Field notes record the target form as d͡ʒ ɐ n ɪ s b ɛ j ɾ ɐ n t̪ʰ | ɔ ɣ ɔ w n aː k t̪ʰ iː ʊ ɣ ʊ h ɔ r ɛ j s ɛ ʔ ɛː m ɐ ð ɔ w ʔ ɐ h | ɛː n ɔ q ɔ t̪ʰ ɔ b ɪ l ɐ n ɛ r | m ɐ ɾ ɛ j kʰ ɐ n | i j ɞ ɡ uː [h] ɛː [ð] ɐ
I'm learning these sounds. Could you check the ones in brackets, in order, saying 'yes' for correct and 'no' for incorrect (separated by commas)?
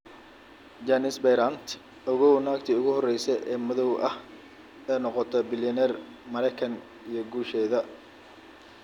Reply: no, yes